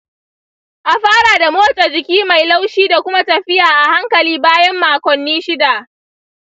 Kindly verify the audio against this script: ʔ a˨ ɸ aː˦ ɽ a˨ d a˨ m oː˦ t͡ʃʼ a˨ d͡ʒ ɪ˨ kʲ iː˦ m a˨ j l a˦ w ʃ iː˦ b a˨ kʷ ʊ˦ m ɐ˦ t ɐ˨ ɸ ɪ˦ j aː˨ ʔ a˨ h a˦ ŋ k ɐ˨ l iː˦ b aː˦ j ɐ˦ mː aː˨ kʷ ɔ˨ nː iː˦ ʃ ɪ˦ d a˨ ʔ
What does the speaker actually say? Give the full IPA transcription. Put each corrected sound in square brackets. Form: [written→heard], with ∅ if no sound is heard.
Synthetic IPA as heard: ʔ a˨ ɸ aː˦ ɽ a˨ d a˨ m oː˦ t͡ʃʼ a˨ d͡ʒ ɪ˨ kʲ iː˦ m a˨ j l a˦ w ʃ iː˦ [b→d] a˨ kʷ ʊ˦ m [ɐ˦→a˦] t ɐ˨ ɸ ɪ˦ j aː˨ ʔ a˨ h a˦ ŋ k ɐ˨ l iː˦ b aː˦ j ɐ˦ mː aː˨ kʷ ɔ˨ nː iː˦ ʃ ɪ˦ d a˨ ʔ